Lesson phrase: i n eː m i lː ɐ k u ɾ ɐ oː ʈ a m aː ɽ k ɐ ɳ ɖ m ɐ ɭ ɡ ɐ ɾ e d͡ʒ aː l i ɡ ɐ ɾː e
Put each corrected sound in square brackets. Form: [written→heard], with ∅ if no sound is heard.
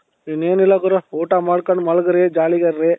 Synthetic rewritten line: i n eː [m→n] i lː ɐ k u ɾ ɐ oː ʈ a m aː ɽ k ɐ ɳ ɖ m ɐ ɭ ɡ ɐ ɾ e d͡ʒ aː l i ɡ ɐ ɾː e